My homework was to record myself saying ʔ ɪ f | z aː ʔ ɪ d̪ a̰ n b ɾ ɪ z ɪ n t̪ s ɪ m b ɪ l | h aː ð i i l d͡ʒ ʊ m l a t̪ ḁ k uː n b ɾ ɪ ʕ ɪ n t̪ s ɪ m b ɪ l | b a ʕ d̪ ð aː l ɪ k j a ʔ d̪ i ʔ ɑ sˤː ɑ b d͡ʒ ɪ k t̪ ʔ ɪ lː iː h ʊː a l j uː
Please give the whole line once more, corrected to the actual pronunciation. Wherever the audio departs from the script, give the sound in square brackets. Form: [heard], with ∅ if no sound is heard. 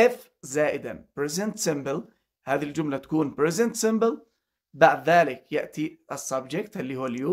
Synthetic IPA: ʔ ɪ f | z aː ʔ ɪ d̪ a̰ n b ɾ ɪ z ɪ n t̪ s ɪ m b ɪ l | h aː ð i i l d͡ʒ ʊ m l a t̪ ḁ k uː n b ɾ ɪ [z] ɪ n t̪ s ɪ m b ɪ l | b a ʕ d̪ ð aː l ɪ k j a ʔ [t̪] i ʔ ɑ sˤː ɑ b d͡ʒ ɪ k t̪ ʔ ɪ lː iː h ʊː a l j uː